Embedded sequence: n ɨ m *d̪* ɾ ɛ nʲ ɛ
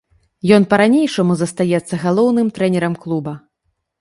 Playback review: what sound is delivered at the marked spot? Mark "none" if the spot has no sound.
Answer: t̪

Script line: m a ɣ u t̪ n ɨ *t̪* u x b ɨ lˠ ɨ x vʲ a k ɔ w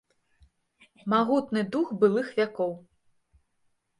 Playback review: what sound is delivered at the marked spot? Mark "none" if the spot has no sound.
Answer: d̪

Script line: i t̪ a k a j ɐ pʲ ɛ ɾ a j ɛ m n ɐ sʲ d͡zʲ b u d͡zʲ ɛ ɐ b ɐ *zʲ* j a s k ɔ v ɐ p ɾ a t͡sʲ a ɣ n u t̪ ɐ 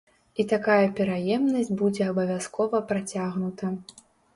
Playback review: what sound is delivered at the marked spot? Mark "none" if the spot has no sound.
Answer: vʲ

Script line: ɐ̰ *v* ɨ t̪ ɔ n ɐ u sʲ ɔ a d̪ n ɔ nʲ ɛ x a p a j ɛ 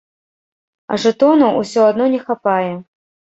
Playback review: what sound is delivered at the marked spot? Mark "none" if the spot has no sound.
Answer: ʐ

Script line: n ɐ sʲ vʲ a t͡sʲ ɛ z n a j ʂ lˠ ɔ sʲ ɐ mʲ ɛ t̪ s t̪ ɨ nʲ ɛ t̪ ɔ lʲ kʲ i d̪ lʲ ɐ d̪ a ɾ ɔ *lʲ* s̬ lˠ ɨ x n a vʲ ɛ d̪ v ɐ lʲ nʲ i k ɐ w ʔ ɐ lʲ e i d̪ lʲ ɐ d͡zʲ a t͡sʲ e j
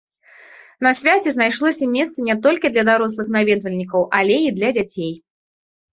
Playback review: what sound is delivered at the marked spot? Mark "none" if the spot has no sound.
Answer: none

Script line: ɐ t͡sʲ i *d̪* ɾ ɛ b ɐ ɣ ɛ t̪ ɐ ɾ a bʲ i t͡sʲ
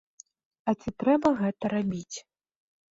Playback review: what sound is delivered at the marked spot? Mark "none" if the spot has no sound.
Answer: t̪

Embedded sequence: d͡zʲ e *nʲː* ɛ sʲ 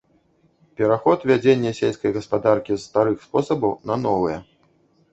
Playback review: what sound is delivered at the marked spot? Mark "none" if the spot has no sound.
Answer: nʲː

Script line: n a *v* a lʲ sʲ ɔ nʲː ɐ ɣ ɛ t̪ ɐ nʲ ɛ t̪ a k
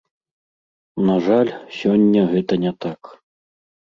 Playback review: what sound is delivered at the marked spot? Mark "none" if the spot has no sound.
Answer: ʐ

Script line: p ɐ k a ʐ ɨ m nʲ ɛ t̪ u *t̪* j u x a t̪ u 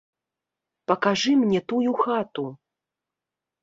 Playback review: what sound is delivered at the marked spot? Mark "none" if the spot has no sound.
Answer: none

